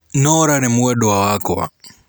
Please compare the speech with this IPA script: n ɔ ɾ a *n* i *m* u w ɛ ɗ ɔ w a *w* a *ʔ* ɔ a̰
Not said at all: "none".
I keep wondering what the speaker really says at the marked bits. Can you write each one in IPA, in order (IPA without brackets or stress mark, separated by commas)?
n, m, w, k